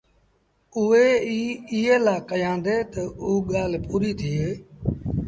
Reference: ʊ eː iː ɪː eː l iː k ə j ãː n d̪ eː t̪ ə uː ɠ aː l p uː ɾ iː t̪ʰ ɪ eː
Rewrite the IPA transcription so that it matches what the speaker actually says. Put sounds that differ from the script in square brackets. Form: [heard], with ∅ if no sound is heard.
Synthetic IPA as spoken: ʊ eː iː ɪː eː l [aː] k ə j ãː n d̪ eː t̪ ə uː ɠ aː l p uː ɾ iː t̪ʰ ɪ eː